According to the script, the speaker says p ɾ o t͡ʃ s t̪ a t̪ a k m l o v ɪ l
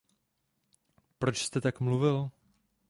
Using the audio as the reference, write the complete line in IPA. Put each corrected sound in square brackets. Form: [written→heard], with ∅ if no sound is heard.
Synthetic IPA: p ɾ o t͡ʃ s t̪ [a→ɛ] t̪ a k m l [o→u] v ɪ l